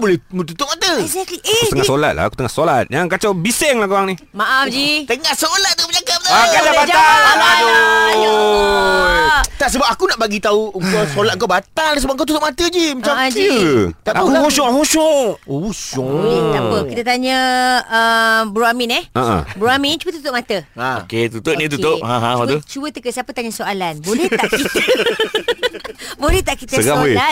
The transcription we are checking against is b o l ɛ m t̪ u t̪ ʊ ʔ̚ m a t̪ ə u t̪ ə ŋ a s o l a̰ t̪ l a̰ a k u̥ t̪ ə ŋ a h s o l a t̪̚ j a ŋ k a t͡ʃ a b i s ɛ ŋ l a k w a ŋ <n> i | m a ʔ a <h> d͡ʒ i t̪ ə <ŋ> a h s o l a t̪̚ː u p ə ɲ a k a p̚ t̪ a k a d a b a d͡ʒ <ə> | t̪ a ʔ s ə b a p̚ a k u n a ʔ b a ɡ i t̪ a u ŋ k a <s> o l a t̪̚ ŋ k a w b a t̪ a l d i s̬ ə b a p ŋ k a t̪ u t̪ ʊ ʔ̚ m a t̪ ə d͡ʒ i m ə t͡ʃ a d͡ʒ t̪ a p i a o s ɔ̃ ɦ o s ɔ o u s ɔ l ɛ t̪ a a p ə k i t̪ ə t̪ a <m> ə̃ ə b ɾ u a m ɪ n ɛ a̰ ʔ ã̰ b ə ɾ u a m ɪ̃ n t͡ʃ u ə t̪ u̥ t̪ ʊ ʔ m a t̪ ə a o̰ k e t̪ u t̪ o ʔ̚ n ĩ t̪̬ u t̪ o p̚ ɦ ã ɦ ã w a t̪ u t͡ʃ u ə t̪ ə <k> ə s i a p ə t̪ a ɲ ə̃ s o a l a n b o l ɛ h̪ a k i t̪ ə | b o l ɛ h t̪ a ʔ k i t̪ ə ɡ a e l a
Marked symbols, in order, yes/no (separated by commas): yes, no, yes, no, yes, no, yes